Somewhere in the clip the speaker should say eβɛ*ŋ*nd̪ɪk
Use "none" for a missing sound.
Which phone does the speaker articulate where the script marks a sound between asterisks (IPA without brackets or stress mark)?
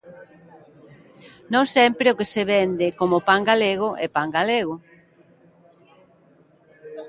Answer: none